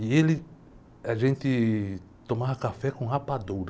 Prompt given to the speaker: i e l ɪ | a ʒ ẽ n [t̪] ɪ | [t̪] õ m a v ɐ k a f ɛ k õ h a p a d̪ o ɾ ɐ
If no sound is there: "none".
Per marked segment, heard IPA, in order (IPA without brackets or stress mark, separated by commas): t̪, t̪